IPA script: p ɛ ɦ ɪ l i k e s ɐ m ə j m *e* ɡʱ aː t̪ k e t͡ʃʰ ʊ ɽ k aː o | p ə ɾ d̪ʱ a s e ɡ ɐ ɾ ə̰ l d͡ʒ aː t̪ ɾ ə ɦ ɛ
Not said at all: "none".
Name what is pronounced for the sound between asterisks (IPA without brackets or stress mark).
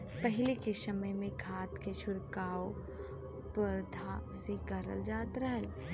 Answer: ẽ